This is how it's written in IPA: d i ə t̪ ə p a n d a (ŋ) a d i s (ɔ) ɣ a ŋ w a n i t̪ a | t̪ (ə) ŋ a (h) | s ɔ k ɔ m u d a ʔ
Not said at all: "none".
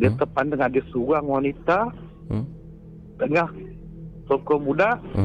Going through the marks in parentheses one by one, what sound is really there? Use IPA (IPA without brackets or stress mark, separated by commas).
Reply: ŋ, u, ə, h